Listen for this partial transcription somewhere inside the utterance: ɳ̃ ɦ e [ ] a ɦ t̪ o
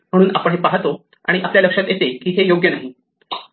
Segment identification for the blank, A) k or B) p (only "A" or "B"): B